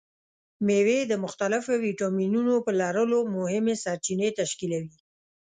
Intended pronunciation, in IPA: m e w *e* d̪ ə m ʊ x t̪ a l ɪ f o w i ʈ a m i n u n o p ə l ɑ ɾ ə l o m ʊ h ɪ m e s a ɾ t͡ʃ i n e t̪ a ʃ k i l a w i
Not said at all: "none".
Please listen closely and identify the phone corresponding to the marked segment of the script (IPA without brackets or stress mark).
e